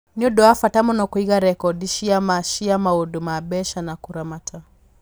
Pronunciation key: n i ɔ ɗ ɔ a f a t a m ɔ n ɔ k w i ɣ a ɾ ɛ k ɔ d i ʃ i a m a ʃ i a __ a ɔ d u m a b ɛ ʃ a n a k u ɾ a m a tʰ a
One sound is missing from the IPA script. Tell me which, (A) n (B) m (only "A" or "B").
B